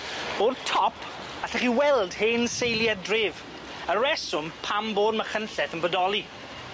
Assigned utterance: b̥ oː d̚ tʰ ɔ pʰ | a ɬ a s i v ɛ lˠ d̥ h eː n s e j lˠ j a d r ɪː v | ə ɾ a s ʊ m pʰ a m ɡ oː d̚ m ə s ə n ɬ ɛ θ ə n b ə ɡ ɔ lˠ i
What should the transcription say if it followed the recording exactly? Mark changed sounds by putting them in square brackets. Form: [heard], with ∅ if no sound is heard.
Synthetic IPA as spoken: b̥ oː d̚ tʰ ɔ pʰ | a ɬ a [χ] i [w] ɛ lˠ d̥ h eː n s e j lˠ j a d r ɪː v | ə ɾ [ɛ] s ʊ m pʰ a m [b] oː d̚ m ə [χ] ə n ɬ ɛ θ ə n b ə [d] ɔ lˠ i